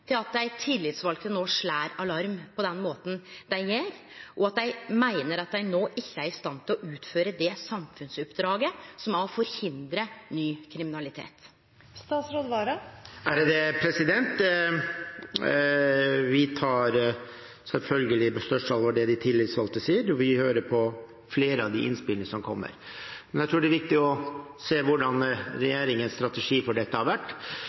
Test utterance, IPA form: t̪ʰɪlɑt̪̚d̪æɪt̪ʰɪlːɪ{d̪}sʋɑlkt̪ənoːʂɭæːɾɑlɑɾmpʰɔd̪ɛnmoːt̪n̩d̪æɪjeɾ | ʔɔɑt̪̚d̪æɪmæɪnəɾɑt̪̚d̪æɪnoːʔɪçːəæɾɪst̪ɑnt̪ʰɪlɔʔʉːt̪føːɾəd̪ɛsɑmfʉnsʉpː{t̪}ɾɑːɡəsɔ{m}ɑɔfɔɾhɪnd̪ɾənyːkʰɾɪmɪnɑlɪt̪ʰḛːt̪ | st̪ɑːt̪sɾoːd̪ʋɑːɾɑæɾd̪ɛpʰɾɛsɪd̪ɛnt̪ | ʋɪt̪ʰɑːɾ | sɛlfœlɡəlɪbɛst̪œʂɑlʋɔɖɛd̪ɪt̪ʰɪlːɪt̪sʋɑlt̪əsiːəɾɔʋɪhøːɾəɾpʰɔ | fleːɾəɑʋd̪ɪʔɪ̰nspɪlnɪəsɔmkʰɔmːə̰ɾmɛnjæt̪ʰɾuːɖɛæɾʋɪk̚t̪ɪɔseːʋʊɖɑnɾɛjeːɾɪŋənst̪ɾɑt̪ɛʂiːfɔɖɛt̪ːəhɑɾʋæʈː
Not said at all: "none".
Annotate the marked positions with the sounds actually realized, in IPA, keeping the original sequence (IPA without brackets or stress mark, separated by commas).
t̪, d̪, m